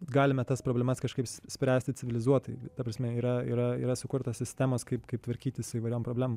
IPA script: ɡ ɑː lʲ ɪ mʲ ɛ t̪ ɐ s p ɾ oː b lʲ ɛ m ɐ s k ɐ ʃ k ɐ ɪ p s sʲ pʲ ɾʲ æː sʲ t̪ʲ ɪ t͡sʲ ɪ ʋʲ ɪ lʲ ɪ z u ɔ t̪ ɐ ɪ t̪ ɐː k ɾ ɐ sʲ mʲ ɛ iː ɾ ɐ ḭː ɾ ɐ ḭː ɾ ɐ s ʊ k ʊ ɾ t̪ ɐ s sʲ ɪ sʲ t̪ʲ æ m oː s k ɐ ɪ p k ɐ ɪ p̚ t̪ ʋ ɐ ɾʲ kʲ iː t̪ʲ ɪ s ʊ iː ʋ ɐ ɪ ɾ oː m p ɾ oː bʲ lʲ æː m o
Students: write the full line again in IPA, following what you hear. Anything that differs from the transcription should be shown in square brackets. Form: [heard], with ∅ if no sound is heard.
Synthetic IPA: ɡ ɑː lʲ ɪ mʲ ɛ t̪ ɐ s p ɾ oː b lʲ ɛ m ɐ s k ɐ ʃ k ɐ ɪ p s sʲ pʲ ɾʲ æː sʲ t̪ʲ ɪ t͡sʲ ɪ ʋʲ ɪ lʲ ɪ z u ɔ t̪ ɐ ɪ t̪ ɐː [p] ɾ ɐ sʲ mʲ ɛ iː ɾ ɐ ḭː ɾ ɐ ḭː ɾ ɐ s ʊ k ʊ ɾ t̪ ɐ s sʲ ɪ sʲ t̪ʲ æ m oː s k ɐ ɪ p k ɐ ɪ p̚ t̪ ʋ ɐ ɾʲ kʲ iː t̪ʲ ɪ s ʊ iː ʋ ɐ ɪ ɾ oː m p ɾ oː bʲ lʲ æː m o